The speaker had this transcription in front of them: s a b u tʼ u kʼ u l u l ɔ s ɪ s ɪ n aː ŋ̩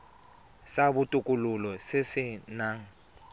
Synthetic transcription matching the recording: s a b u tʼ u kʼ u l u l ɔ s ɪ s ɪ n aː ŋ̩